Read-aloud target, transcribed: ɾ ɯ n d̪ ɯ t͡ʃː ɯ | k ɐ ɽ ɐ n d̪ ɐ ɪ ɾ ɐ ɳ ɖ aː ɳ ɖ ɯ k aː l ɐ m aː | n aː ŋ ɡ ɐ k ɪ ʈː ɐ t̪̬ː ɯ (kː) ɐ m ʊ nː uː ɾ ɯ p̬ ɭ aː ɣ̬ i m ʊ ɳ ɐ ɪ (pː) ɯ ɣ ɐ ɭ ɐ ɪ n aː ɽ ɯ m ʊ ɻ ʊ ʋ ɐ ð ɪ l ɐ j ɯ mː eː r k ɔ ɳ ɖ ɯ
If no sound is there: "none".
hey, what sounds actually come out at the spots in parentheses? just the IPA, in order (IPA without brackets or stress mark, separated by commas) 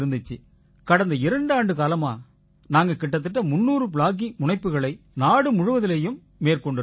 ʈː, pː